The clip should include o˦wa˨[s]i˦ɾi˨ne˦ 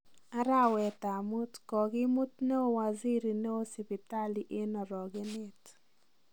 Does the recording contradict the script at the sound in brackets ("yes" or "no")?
yes